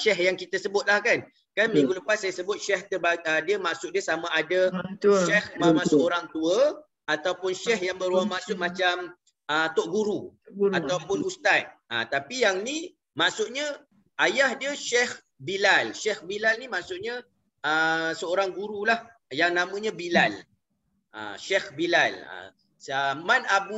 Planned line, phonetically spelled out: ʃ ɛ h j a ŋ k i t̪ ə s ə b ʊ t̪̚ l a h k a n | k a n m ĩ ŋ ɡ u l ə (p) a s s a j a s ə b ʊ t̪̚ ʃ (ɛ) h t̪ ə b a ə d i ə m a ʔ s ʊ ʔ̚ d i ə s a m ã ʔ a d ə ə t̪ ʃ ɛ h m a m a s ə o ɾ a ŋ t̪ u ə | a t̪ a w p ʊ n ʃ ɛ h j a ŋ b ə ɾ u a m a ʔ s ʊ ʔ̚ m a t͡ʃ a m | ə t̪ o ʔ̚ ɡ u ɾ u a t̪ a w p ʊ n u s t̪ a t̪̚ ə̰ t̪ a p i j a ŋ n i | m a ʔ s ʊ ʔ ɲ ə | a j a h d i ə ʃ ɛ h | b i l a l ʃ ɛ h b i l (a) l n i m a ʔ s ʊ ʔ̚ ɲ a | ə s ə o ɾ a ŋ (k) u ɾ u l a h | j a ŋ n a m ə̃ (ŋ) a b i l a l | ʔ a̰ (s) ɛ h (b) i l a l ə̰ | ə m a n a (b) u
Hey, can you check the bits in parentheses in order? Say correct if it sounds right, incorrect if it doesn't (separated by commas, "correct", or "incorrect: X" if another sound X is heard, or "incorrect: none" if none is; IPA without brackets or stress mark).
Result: correct, correct, correct, incorrect: ɡ, incorrect: ɲ, incorrect: ʃ, correct, correct